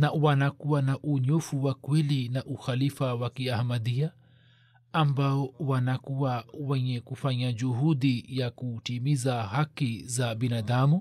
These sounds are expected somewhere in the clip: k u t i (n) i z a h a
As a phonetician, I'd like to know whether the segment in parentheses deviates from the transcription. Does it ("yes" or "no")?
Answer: yes